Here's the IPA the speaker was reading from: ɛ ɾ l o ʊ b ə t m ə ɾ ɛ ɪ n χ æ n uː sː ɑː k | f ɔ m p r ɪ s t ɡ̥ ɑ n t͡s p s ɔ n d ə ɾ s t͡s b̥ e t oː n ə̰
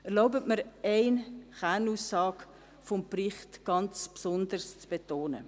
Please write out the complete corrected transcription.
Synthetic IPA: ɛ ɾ l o ʊ b ə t m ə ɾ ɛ ɪ n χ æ n uː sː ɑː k | f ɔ m p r ɪ χ t ɡ̥ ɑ n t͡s p s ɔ n d ə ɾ s t͡s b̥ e t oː n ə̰